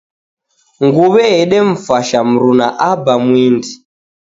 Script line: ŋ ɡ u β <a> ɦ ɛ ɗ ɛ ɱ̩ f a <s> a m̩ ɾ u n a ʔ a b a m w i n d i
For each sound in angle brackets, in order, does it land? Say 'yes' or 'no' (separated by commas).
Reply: no, no